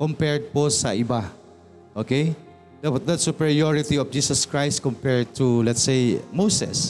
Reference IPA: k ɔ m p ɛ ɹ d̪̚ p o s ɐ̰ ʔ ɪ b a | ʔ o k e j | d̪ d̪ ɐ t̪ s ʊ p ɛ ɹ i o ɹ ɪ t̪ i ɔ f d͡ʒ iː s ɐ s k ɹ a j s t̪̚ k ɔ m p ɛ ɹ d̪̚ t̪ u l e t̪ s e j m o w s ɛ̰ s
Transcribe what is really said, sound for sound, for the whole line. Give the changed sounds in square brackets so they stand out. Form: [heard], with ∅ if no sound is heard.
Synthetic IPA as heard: k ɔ m p ɛ ɹ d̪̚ p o s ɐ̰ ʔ ɪ b a | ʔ o k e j | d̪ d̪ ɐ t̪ s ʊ p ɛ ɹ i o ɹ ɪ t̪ i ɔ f d͡ʒ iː s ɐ s k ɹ a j s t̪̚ k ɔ m p ɛ ɹ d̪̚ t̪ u l [ɛ] t̪ s e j m o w s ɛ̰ s